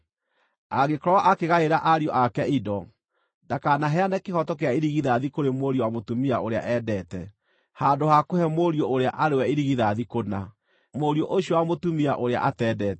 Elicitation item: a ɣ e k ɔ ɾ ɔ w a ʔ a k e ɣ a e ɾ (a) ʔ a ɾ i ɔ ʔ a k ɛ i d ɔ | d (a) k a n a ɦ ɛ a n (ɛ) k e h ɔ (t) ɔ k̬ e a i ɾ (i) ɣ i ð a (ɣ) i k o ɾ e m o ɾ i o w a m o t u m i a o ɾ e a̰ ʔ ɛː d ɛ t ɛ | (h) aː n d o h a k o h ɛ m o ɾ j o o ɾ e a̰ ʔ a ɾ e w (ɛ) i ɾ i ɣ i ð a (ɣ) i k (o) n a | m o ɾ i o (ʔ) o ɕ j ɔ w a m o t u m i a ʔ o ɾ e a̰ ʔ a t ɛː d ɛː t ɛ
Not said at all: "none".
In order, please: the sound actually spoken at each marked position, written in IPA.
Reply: a, a, ɛ, t, i, ð, h, ɛ, ð, o, ʔ

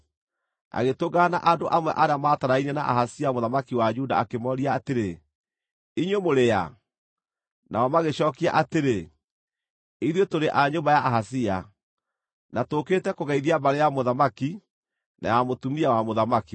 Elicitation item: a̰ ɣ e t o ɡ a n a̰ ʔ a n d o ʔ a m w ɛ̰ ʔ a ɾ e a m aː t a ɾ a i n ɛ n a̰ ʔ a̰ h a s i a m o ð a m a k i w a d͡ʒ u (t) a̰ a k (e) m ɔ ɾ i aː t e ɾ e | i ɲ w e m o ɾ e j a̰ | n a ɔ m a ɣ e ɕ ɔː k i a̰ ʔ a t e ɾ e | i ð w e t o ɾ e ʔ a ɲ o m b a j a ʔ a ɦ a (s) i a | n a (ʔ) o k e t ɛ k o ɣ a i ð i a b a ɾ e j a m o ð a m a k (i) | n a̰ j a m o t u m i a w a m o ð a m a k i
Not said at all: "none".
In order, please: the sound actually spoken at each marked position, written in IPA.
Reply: d, e, s, t, i

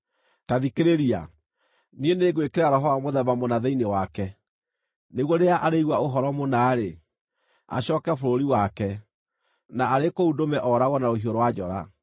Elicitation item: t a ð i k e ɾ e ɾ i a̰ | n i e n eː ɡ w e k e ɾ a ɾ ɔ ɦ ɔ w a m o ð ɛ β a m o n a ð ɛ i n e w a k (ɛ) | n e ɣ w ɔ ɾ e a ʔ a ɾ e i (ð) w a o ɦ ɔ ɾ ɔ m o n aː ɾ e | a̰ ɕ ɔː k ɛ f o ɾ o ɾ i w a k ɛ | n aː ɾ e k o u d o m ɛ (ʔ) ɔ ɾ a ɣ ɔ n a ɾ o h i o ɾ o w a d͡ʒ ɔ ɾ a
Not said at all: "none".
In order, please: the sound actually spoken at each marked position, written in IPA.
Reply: ɛ, ɣ, ʔ

